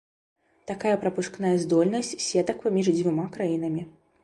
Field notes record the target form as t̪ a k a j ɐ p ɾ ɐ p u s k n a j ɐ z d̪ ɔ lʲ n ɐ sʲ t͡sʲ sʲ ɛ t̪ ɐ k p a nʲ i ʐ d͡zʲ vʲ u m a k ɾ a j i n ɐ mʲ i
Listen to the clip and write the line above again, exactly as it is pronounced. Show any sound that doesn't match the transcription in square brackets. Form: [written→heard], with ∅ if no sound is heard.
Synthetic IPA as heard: t̪ a k a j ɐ p ɾ ɐ p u [s→ʂ] k n a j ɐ z d̪ ɔ lʲ n ɐ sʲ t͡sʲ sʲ ɛ t̪ ɐ k p a [nʲ→mʲ] i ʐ d͡zʲ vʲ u m a k ɾ a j i n ɐ mʲ i